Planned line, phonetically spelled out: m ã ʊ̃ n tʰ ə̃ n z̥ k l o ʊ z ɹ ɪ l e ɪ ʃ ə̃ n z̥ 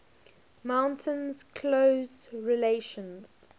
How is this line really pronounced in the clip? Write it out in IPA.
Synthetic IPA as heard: m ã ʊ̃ n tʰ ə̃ n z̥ kʰ l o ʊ z ɹ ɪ l e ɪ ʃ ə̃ n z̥